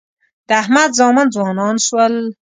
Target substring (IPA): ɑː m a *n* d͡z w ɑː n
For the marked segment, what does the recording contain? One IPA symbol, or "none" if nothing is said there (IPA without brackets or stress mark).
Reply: n